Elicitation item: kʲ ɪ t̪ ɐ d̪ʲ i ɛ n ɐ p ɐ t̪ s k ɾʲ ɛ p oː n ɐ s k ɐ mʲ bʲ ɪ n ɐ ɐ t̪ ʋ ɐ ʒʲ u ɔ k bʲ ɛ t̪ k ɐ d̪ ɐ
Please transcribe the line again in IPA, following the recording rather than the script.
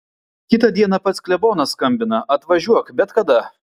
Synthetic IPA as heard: kʲ ɪ t̪ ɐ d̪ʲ i ɛ n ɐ p ɐ t̪ s k lʲ ɛ b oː n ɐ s k ɐ mʲ bʲ ɪ n ɐ ɐ t̪ ʋ ɐ ʒʲ u ɔ k bʲ ɛ t̪ k ɐ d̪ ɐ